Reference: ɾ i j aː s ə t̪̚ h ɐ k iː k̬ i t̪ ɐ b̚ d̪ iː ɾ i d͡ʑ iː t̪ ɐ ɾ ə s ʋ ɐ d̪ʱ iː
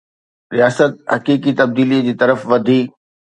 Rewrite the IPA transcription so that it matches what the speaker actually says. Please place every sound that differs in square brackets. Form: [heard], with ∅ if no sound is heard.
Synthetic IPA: ɾ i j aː s ə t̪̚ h ɐ k iː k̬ i t̪ ɐ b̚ d̪ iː [l] i d͡ʑ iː t̪ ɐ ɾ ə [f] ʋ ɐ d̪ʱ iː